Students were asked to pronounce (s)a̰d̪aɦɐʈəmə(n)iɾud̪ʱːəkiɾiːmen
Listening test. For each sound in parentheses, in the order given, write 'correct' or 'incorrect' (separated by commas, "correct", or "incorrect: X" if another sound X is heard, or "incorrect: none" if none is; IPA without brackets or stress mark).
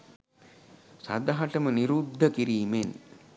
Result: correct, correct